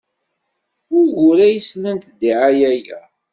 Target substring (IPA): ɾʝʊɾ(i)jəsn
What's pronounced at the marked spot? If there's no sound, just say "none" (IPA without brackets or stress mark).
æ